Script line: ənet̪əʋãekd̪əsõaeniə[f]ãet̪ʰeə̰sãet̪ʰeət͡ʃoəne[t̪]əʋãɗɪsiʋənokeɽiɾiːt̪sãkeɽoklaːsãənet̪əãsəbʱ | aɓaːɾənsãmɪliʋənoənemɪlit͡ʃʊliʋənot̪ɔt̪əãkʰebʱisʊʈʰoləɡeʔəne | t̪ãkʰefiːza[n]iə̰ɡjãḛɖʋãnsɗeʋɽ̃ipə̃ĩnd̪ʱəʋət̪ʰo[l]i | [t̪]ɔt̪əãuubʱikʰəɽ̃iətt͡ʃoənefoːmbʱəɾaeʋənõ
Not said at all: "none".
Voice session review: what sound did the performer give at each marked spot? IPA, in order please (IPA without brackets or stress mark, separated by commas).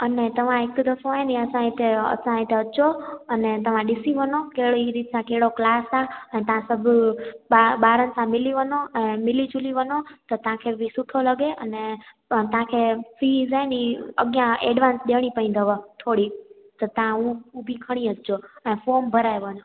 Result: s, t̪, n, ɽ, t̪